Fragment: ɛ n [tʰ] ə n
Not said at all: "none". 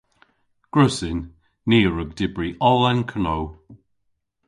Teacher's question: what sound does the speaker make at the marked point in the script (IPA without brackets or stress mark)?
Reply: kʰ